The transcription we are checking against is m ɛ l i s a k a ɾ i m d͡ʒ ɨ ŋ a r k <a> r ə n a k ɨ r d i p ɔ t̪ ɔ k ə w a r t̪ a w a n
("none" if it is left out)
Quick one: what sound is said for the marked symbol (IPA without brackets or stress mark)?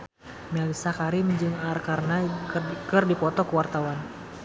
a